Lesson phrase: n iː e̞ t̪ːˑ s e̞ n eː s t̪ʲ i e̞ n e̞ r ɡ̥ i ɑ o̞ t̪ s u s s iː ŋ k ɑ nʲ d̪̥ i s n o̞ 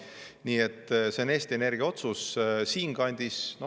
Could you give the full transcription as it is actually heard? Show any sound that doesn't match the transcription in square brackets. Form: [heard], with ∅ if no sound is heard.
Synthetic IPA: n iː e̞ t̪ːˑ s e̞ n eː s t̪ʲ i e̞ n e̞ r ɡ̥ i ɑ o̞ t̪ s u s s iː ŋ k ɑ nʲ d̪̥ i s n o̞